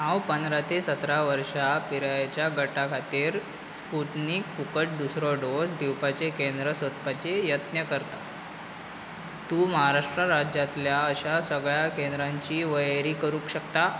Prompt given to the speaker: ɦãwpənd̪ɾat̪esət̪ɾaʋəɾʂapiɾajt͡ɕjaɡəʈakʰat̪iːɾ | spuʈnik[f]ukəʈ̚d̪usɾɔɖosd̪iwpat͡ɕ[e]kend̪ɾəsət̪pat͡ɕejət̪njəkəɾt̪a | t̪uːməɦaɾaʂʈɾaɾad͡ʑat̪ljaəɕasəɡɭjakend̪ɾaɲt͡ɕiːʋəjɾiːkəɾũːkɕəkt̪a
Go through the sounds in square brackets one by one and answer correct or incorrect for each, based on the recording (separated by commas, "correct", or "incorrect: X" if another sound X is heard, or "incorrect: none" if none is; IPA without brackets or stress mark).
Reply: correct, correct